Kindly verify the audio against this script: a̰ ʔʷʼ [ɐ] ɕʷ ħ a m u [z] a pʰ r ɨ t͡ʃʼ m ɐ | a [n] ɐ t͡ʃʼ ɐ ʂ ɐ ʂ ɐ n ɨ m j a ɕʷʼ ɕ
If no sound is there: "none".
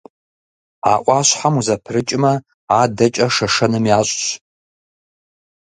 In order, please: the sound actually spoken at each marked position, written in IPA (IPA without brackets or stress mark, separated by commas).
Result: a, z, d